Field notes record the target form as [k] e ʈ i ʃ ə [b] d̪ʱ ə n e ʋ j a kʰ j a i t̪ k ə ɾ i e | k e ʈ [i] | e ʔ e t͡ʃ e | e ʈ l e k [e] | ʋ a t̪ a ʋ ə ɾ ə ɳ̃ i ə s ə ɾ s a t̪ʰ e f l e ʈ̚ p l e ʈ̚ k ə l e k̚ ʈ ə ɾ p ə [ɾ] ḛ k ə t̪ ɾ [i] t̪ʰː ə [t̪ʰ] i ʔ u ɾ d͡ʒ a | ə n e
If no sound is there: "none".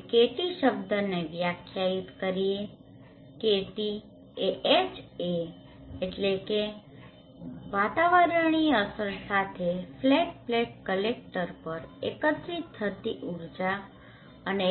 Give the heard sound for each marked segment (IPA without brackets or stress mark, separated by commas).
k, b, i, e, ɾ, i, t̪